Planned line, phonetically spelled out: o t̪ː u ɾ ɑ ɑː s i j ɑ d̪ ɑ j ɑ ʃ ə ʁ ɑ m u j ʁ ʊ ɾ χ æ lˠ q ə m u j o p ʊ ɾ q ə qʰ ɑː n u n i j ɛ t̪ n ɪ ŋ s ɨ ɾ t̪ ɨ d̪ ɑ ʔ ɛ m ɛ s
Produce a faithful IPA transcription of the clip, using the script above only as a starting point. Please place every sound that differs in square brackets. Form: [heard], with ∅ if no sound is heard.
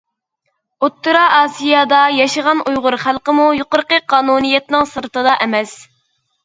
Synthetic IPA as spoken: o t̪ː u ɾ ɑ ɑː s i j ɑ d̪ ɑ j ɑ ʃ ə ʁ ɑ [n] u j ʁ ʊ ɾ χ æ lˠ q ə m u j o [q] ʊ ɾ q ə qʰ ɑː n u n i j ɛ t̪ n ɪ ŋ s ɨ ɾ t̪ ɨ d̪ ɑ ʔ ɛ m ɛ s